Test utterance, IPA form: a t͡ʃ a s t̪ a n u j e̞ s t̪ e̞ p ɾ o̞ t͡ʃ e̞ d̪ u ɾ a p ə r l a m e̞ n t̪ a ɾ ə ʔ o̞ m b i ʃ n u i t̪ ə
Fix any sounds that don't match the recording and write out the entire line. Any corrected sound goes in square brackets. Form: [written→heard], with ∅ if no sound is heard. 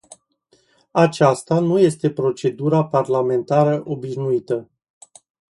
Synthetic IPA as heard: a t͡ʃ a s t̪ a n u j e̞ s t̪ e̞ p ɾ o̞ t͡ʃ e̞ d̪ u ɾ a p [ə→a] r l a m e̞ n t̪ a ɾ ə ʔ o̞ [m→∅] b i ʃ n u i t̪ ə